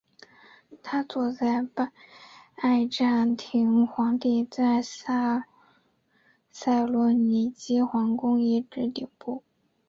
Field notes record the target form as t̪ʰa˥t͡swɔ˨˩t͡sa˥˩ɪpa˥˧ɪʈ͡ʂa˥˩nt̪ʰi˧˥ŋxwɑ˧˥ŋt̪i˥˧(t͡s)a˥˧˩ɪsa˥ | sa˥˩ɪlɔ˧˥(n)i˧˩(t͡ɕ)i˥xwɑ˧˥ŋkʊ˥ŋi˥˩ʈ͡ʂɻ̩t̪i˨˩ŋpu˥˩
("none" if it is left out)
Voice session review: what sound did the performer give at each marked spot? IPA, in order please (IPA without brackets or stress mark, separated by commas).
t͡s, n, t͡ɕ